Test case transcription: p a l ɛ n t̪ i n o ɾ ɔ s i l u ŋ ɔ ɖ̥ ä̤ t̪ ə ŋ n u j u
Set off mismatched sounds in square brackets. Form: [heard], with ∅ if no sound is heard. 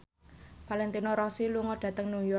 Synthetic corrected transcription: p a l ɛ n t̪ i n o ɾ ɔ s i l u ŋ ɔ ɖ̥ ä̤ t̪ ə ŋ n u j [ɔ]